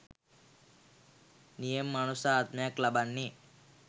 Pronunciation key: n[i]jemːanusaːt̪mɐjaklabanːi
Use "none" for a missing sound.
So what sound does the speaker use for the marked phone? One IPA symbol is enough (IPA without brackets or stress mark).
i